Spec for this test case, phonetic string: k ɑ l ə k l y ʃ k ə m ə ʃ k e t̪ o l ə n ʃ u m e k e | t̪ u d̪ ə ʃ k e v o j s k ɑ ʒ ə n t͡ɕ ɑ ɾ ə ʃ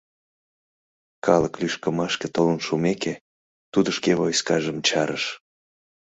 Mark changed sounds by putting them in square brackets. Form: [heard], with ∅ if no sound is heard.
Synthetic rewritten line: k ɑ l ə k l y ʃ k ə m [ɑ] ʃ k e t̪ o l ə n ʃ u m e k e | t̪ u d̪ ə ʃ k e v o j s k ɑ ʒ ə [m] t͡ɕ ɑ ɾ ə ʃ